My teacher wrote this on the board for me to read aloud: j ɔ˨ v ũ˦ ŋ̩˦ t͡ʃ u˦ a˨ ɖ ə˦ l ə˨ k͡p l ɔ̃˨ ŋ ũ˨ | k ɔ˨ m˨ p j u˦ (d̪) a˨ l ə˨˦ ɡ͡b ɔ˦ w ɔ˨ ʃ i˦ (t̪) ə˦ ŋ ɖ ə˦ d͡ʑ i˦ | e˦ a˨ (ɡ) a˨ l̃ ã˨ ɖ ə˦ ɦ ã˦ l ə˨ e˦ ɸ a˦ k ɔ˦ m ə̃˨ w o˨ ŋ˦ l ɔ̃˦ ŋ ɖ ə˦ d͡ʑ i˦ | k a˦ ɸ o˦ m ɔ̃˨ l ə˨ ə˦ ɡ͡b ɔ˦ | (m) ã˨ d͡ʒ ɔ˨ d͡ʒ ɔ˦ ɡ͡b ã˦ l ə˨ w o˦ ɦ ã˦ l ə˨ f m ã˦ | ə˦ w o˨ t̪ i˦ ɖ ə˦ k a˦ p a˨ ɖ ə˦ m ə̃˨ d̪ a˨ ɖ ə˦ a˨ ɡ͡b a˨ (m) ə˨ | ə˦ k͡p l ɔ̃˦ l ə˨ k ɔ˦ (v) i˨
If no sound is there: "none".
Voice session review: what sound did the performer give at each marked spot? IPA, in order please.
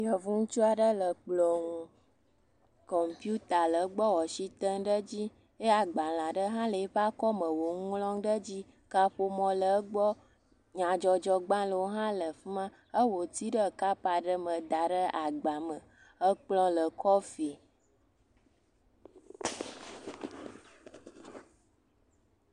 t̪, t̪, ɡ͡b, ɲ, m, f

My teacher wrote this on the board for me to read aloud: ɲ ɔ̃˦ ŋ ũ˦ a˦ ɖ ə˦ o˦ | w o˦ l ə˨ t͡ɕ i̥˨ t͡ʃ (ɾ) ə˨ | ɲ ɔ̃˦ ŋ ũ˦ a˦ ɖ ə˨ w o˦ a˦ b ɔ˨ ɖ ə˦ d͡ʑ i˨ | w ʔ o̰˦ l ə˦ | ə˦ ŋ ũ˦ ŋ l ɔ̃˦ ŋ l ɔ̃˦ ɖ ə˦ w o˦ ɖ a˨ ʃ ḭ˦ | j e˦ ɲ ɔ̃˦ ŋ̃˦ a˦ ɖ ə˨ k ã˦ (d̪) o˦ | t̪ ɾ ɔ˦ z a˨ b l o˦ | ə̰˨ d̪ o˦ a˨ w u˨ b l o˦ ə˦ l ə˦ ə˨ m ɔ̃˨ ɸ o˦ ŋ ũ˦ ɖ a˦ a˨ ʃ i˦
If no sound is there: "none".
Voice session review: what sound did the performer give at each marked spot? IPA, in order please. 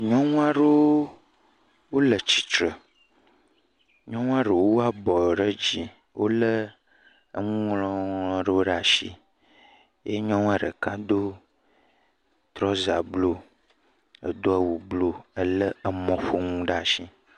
ɾ, d̪

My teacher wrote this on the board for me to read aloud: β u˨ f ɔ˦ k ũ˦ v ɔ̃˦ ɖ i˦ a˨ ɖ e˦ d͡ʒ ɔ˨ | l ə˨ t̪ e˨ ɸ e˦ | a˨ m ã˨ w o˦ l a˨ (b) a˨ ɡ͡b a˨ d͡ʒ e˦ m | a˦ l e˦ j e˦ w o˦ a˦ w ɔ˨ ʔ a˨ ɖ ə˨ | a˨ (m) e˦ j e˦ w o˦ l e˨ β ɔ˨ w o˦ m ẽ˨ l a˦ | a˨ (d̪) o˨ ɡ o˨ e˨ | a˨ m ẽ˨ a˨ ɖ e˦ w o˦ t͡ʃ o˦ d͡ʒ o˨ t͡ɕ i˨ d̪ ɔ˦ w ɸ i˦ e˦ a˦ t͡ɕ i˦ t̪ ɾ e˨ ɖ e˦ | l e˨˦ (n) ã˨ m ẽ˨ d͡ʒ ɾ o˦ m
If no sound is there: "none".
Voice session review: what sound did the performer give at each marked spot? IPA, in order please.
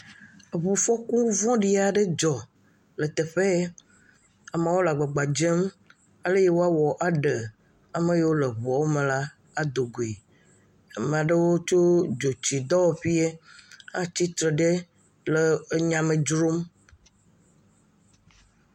ɡ͡b, m, d̪, ɲ

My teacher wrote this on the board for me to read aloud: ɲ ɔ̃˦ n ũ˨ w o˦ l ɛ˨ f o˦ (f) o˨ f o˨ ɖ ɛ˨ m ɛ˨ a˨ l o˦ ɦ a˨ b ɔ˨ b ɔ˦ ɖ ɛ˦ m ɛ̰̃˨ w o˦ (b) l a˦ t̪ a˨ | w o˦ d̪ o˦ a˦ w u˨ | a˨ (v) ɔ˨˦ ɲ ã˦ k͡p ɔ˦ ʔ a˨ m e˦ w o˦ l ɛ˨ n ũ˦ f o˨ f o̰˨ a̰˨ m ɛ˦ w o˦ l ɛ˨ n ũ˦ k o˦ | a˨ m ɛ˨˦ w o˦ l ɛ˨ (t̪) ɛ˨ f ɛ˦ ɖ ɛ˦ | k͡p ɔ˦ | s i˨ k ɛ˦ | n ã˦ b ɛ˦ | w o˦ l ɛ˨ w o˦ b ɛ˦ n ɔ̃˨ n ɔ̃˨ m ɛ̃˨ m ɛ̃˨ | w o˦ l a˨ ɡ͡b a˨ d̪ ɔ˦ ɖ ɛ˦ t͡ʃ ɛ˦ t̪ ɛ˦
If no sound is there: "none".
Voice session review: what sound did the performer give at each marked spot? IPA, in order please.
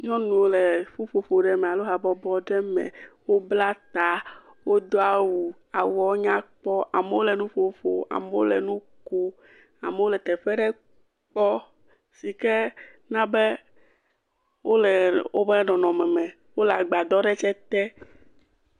f, b, w, t̪

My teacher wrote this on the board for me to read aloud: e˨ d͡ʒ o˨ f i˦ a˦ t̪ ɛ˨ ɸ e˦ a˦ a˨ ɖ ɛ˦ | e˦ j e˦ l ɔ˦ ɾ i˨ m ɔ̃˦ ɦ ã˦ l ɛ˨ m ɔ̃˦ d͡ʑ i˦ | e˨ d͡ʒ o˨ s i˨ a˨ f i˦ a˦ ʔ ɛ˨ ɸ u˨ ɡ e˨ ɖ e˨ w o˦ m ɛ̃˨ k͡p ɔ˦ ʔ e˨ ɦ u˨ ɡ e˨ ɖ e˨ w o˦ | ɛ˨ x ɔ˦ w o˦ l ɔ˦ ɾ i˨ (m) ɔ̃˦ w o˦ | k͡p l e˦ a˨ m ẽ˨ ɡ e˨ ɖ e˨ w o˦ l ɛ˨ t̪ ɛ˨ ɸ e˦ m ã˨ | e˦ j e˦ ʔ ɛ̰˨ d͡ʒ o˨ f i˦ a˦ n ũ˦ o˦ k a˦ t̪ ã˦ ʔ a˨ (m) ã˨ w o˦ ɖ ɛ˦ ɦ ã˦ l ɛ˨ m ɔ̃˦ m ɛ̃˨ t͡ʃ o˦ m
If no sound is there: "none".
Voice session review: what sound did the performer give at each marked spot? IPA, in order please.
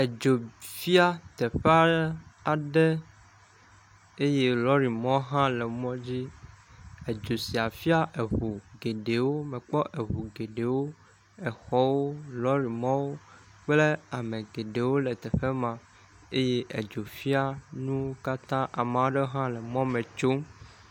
m, m

